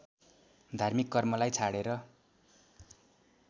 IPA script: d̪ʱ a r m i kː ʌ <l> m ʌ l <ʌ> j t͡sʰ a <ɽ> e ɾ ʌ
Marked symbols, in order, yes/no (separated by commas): no, no, yes